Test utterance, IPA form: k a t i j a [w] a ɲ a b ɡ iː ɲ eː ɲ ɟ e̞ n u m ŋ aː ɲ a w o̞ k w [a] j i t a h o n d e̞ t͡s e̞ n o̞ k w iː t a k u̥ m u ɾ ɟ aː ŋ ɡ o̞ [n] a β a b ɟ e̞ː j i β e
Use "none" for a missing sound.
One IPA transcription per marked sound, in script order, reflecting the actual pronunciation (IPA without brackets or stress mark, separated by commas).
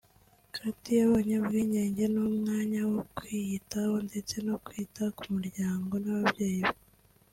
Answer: β, i, n